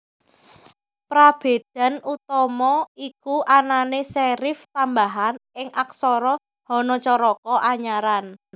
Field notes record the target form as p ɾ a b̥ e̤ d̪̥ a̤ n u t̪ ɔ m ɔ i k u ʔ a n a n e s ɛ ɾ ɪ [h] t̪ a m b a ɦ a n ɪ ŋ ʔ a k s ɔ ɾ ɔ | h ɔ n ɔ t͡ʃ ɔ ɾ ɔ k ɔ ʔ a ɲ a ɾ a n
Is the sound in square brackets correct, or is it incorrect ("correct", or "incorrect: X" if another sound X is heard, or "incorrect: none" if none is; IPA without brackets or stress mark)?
incorrect: f